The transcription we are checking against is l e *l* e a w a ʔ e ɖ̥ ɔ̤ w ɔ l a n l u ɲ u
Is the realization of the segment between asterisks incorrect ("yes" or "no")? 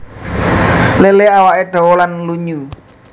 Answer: no